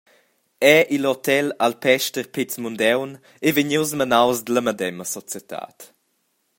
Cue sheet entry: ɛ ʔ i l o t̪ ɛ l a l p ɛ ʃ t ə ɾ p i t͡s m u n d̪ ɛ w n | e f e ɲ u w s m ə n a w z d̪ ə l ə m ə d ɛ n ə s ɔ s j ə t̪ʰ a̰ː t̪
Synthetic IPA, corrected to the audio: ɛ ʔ i l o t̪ ɛ l a l p ɛ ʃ t ə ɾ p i t͡s m u n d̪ ɛ w n | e v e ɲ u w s m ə n a w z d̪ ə l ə m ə d ɛ m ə s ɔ t͡s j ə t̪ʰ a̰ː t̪